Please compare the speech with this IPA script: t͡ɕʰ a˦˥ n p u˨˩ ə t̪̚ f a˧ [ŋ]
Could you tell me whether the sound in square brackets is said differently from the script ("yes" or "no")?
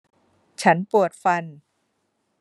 yes